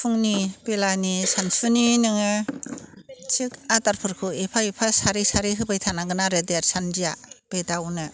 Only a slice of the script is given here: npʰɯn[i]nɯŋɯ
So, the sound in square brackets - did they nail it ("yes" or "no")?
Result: yes